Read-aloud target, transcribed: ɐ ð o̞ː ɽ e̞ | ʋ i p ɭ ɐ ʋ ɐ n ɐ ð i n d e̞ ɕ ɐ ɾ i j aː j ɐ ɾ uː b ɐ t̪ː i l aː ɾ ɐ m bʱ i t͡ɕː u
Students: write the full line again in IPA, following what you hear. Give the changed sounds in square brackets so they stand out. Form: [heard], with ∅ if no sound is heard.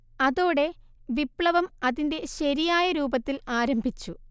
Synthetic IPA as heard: ɐ ð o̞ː ɽ e̞ | ʋ i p ɭ ɐ ʋ ɐ [m] ɐ ð i n d e̞ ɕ ɐ ɾ i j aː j ɐ ɾ uː b ɐ t̪ː i l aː ɾ ɐ m bʱ i t͡ɕː u